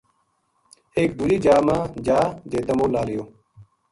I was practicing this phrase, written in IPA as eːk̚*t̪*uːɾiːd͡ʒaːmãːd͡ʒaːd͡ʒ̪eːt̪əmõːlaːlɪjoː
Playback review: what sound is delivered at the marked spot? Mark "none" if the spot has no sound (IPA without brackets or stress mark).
d̪